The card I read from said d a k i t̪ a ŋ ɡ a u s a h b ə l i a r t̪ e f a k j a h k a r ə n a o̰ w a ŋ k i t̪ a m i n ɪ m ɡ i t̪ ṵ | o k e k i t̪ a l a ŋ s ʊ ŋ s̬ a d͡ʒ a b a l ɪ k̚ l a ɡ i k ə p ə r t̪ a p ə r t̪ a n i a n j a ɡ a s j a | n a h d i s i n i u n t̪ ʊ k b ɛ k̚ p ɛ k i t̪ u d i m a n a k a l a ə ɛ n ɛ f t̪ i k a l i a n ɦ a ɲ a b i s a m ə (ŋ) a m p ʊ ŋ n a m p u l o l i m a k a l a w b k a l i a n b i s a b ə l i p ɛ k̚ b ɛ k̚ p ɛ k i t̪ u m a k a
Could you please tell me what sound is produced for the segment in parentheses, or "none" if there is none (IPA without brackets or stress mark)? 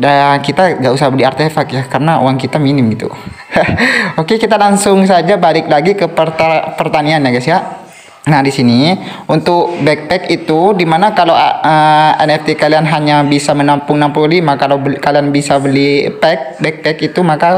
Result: n